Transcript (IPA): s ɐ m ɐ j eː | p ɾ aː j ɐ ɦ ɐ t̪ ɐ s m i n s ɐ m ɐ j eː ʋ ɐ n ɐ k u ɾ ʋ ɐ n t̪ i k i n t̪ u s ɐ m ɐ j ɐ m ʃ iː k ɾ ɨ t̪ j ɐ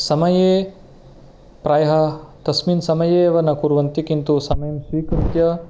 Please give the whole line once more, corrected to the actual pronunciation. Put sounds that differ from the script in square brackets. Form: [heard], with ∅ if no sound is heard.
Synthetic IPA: s ɐ m ɐ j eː | p ɾ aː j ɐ ɦ ɐ t̪ ɐ s m i n s ɐ m ɐ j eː ʋ ɐ n ɐ k u ɾ ʋ ɐ n t̪ i k i n t̪ u s ɐ m ɐ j ɐ m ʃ iː k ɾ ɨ t̪ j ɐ